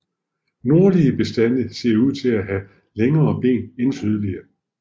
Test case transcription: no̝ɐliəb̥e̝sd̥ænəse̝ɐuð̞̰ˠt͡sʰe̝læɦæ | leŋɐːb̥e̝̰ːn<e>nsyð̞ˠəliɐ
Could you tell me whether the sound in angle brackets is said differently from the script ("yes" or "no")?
no